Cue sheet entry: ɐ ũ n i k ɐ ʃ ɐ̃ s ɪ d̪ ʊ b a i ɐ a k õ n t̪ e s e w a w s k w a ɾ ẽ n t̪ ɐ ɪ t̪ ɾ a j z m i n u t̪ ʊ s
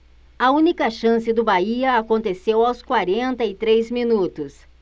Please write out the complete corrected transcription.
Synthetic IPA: ɐ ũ n i k ɐ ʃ ɐ̃ s ɪ d̪ ʊ b a i ɐ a k õ n t̪ e s e w a w s k w a ɾ ẽ n t̪ ɐ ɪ t̪ ɾ e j z m i n u t̪ ʊ s